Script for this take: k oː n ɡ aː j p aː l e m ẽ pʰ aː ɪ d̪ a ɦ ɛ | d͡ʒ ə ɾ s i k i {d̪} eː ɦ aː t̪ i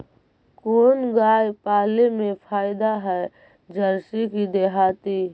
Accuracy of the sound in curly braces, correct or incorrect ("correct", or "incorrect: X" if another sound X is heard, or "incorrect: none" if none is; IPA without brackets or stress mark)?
correct